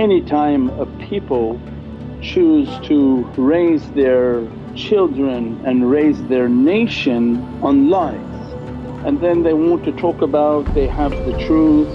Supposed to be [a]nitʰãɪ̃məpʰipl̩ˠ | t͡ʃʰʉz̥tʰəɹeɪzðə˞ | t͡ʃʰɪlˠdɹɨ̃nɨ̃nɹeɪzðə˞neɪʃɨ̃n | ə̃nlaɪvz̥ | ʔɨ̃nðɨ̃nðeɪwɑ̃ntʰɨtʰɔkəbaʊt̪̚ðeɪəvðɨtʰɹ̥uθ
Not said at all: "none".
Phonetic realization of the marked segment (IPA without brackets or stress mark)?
ɛ